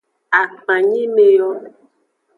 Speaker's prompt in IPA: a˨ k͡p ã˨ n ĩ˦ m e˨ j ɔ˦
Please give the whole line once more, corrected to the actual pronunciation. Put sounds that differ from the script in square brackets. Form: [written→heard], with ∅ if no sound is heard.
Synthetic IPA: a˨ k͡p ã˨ [n→ɲ] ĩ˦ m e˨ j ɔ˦